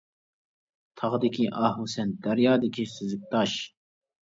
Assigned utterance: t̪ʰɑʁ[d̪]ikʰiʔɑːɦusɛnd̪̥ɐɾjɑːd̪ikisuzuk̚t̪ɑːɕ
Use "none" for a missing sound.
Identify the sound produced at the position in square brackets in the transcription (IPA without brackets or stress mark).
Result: d̪